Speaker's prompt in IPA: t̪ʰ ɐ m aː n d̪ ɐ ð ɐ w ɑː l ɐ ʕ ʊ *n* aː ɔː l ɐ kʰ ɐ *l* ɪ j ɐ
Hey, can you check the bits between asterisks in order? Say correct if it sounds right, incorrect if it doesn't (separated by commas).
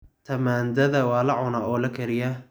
correct, incorrect